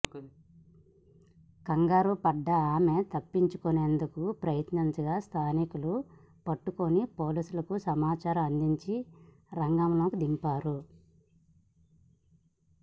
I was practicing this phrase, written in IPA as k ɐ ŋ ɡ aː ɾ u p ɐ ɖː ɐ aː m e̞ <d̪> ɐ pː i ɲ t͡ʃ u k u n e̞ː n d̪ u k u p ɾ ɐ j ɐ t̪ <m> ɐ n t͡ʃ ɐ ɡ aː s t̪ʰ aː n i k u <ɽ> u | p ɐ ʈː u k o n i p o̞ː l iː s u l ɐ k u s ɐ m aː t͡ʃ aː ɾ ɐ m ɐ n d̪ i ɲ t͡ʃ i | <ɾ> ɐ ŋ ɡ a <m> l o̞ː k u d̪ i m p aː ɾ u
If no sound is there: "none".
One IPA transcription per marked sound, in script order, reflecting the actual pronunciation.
t̪, n, l, ɾ, m

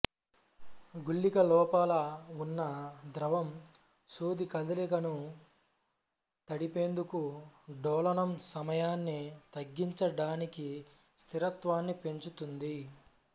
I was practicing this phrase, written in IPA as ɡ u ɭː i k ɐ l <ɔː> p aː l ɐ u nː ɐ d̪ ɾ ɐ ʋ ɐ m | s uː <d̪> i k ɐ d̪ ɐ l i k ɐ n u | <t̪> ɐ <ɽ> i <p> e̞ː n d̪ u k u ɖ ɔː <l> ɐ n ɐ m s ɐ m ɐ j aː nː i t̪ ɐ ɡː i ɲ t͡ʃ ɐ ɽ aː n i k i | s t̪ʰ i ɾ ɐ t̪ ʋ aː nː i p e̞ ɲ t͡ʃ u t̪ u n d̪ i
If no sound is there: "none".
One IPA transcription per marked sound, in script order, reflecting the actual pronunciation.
ɔː, d̪, t̪, ɽ, p, l

